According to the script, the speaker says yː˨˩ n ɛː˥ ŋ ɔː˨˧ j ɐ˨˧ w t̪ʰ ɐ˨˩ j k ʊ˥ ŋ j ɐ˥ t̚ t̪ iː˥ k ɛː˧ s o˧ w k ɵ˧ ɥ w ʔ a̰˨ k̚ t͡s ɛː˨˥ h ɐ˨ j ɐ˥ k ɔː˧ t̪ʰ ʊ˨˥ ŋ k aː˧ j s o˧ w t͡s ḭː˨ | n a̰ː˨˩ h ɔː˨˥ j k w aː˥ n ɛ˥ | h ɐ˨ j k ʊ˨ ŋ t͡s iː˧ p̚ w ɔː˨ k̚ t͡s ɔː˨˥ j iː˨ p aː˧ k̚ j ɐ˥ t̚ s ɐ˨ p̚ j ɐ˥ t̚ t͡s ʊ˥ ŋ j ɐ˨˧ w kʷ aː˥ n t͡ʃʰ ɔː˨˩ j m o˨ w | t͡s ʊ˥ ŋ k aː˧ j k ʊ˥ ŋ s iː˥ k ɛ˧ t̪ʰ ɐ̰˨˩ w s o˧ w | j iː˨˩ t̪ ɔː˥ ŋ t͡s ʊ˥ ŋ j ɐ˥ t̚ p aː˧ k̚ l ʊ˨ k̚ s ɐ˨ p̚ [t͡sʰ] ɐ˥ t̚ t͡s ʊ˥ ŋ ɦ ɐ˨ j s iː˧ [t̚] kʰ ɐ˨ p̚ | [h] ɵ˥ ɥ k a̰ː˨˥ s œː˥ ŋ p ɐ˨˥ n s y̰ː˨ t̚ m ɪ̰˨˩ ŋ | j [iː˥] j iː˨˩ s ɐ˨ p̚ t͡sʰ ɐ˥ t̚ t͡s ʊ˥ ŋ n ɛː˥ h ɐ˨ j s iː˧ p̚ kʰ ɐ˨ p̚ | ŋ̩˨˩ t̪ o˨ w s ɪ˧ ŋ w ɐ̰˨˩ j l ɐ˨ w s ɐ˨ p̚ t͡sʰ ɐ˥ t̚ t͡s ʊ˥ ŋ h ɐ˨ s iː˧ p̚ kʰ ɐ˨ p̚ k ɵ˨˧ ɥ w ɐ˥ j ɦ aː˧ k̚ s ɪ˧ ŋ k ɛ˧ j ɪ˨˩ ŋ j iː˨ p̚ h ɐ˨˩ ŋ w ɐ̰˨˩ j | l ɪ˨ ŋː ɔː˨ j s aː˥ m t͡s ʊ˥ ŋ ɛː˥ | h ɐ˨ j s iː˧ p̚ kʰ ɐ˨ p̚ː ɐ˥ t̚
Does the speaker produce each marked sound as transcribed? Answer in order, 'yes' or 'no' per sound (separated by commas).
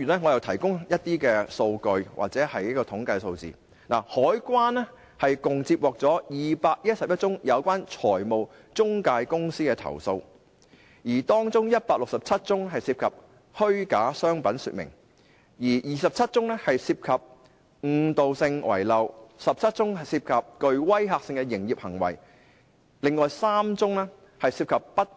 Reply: yes, no, yes, no